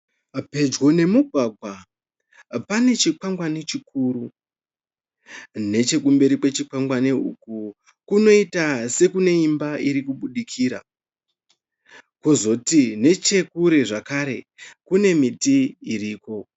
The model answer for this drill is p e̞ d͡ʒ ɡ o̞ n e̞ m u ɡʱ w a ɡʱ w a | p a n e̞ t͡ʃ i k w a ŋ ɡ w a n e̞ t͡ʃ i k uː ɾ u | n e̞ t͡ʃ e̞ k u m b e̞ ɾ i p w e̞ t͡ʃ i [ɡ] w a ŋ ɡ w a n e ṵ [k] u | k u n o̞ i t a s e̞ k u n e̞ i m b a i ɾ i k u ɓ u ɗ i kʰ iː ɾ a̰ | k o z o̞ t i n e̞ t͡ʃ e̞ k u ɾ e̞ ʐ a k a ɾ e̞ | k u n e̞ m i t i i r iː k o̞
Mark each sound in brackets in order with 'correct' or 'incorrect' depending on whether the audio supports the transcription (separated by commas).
incorrect, correct